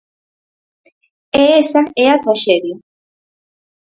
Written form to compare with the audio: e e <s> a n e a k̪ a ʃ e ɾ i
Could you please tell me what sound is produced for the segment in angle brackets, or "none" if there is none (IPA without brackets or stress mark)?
s